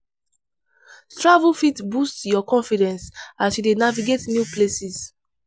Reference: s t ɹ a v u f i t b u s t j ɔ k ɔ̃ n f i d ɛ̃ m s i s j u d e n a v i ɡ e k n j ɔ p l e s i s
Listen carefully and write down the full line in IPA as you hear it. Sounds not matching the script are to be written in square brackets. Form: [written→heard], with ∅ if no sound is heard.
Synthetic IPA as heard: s t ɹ a v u f i t b u s t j ɔ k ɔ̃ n f i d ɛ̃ [m→n] s [i→a] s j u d e n a v i ɡ e [k→t] n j [ɔ→u] p l e s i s